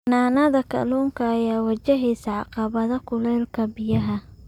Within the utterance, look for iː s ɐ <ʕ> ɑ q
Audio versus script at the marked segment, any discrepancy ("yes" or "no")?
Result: no